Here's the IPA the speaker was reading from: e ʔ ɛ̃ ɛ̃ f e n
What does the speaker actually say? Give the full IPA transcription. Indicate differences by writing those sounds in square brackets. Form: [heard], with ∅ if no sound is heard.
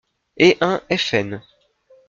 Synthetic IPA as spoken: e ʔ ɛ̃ [ɛ] f [ɛ] n

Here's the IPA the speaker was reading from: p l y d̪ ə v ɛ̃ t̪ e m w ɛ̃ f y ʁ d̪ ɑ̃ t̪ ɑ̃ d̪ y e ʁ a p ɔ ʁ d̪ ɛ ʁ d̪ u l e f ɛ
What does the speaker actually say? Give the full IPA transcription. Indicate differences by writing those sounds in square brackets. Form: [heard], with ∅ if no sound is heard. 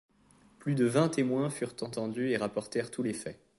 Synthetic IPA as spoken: p l y d̪ ə v ɛ̃ t̪ e m w ɛ̃ f y ʁ [t̪] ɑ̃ t̪ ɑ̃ d̪ y e ʁ a p ɔ ʁ [t̪] ɛ ʁ [t̪] u l e f ɛ

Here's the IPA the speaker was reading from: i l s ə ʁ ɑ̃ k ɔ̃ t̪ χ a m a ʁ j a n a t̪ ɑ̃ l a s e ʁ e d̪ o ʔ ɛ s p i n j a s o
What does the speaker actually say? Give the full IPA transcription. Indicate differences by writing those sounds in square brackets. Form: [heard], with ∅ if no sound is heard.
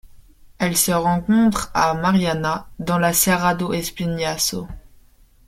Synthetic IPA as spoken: [ɛ] l s ə ʁ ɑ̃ k ɔ̃ t̪ χ a m a ʁ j a n a [d̪] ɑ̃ l a s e ʁ [a] d̪ o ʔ ɛ s p i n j a s o

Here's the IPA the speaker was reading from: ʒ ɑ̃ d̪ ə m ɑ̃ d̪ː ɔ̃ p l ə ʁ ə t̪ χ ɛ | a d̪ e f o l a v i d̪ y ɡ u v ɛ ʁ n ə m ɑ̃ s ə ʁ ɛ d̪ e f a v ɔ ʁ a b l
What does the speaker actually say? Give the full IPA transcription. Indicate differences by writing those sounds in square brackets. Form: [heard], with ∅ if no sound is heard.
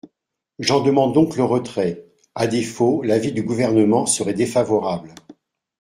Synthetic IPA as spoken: ʒ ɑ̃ d̪ ə m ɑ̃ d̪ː ɔ̃ [k] l ə ʁ ə t̪ χ ɛ | a d̪ e f o l a v i d̪ y ɡ u v ɛ ʁ n ə m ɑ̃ s ə ʁ ɛ d̪ e f a v ɔ ʁ a b l

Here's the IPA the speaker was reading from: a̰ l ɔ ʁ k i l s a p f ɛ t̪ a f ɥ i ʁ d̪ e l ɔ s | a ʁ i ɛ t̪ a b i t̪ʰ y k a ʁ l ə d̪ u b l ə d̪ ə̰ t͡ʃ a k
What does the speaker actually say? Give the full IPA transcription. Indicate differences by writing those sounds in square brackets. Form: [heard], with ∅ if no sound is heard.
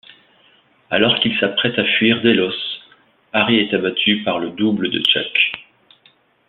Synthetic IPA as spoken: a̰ l ɔ ʁ k i l s a p [χ] ɛ t̪ a f ɥ i ʁ d̪ e l ɔ s | a ʁ i ɛ t̪ a b [a] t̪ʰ y [p] a ʁ l ə d̪ u b l ə d̪ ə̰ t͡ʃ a k

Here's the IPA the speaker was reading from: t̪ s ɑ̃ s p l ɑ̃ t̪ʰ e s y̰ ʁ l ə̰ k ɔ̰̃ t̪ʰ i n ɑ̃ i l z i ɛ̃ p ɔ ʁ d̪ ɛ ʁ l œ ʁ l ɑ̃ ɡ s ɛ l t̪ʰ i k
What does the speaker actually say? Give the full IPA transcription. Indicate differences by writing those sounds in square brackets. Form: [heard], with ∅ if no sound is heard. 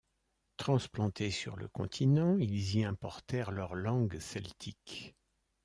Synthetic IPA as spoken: t̪ [χ] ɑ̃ s p l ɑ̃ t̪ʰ e s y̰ ʁ l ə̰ k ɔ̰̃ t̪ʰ i n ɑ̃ i l z i ɛ̃ p ɔ ʁ [t̪] ɛ ʁ l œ ʁ l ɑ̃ ɡ s ɛ l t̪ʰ i k

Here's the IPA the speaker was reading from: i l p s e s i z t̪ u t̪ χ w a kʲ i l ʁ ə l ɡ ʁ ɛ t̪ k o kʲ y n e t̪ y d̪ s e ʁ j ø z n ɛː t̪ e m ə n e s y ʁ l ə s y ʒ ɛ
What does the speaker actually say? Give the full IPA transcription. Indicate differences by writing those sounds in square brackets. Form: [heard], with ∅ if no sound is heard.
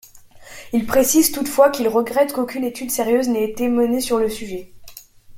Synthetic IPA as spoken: i l p [χ] e s i z t̪ u t̪ [f] w a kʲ i l ʁ ə [∅] ɡ ʁ ɛ t̪ k o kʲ y n e t̪ y d̪ s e ʁ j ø z n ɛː t̪ e m ə n e s y ʁ l ə s y ʒ ɛ

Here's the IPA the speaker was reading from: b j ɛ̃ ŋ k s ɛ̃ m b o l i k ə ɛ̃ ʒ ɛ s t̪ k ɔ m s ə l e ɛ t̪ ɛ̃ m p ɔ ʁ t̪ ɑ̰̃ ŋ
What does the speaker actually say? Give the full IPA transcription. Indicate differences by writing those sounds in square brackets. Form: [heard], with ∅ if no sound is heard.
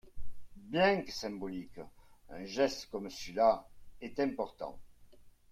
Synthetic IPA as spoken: b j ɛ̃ ŋ k s ɛ̃ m b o l i k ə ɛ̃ ʒ ɛ s t̪ k ɔ m s ə l [a] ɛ t̪ ɛ̃ m p ɔ ʁ t̪ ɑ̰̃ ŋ

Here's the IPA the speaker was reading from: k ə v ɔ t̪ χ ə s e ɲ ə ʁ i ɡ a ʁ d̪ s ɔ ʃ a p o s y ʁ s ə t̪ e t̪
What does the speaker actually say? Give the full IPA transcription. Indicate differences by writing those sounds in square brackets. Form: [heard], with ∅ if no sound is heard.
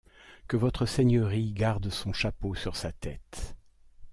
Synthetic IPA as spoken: k ə v ɔ t̪ χ ə s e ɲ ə ʁ i ɡ a ʁ d̪ s [ɔ̃] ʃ a p o s y ʁ s [a] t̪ [ɛ] t̪

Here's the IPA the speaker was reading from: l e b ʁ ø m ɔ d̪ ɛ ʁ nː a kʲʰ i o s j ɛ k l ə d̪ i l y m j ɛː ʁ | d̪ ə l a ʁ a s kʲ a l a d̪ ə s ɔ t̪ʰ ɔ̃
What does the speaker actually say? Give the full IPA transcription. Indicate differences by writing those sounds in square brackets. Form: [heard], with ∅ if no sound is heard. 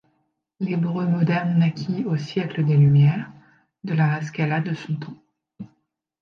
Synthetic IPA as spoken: l e b ʁ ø m ɔ d̪ ɛ ʁ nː a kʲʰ i o s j ɛ k l ə d̪ [e] l y m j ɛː ʁ | d̪ ə l a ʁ a s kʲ a l a d̪ ə s [ɔ̃] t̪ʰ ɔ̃

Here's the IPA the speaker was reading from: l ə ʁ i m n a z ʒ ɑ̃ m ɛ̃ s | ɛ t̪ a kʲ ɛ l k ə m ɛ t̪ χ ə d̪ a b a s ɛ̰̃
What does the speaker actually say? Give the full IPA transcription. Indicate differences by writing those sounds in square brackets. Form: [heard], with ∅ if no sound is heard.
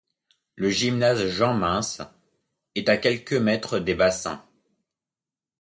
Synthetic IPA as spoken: l ə [ʒ] i m n a z ʒ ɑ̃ m ɛ̃ s | ɛ t̪ a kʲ ɛ l k ə m ɛ t̪ χ ə d̪ [e] b a s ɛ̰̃

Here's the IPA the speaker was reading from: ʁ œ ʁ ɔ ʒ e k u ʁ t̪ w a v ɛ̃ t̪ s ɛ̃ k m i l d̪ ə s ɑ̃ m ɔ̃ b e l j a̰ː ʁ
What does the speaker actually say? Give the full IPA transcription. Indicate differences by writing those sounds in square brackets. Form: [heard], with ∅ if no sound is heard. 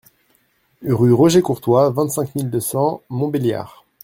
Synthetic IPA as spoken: ʁ [y] ʁ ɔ ʒ e k u ʁ t̪ w a v ɛ̃ t̪ s ɛ̃ k m i l d̪ ə s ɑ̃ m ɔ̃ b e l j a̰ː ʁ

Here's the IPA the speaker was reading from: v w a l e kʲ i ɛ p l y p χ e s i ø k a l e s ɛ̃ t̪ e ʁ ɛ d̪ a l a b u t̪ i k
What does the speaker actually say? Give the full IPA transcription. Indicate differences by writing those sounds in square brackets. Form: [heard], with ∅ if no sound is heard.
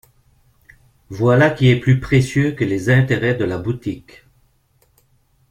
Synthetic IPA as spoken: v w a l [a] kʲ i ɛ p l y p χ e s [j] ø k [ə] l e [z] ɛ̃ t̪ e ʁ ɛ d̪ [ə] l a b u t̪ i k

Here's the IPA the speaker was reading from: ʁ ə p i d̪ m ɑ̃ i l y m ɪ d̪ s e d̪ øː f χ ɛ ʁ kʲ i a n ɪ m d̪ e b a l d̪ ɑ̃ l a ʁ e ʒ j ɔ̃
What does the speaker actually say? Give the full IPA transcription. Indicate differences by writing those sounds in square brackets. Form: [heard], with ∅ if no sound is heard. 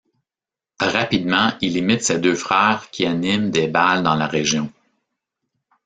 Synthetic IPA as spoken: ʁ [a] p i d̪ m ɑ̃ i l [i] m ɪ [t̪] s e d̪ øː f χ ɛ ʁ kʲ i a n ɪ m d̪ e b a l d̪ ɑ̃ l a ʁ e ʒ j ɔ̃

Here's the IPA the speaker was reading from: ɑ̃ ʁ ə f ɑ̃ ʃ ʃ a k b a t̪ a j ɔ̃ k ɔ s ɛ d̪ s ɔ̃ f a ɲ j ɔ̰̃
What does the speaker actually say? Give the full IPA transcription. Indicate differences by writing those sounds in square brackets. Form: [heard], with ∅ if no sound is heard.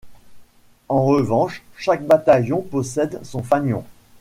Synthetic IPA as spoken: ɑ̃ ʁ ə [v] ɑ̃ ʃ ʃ a k b a t̪ a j ɔ̃ [p] ɔ s ɛ d̪ s ɔ̃ f a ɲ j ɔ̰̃

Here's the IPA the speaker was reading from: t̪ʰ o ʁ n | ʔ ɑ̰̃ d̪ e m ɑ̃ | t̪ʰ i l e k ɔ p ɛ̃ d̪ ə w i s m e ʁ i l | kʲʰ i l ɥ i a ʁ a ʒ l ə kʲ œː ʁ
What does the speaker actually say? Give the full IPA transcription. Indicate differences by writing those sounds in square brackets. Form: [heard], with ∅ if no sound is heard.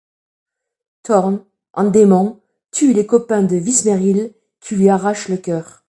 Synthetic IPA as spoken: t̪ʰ [ɔ] ʁ n | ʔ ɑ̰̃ d̪ e m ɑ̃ | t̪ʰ [y] l e k ɔ p ɛ̃ d̪ ə [v] i s m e ʁ i l | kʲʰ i l ɥ i a ʁ a [ʃ] l ə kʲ œː ʁ

